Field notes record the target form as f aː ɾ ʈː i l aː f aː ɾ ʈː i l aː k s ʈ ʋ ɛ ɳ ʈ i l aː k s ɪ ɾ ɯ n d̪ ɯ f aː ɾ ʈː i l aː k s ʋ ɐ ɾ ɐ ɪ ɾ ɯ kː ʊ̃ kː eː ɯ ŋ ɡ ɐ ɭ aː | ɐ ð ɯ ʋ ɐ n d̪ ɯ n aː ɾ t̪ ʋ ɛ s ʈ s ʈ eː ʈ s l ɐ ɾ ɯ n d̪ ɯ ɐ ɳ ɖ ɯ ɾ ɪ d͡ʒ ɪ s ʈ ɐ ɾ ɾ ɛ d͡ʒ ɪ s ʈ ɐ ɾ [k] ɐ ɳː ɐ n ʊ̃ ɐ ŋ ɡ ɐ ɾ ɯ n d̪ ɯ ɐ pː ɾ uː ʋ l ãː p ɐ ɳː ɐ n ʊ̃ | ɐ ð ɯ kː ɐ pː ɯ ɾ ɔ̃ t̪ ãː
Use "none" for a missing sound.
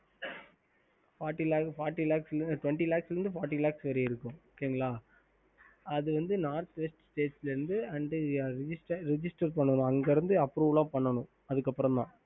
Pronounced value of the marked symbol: p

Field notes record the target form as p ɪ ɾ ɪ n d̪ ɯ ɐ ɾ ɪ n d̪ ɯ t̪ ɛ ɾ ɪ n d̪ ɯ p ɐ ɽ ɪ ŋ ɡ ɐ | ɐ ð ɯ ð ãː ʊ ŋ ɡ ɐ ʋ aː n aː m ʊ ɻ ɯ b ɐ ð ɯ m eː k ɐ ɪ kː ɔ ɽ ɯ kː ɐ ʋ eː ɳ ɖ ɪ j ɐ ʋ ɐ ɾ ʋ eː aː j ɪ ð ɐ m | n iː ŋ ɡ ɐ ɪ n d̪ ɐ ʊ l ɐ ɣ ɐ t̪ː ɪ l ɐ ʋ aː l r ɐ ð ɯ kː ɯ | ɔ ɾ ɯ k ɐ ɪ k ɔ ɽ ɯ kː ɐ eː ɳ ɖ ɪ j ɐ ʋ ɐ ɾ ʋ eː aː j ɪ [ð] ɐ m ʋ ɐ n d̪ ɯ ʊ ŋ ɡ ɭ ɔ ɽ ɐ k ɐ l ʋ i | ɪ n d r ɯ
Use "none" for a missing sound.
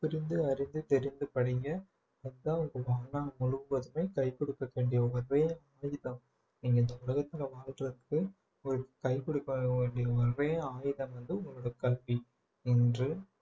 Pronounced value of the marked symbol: ð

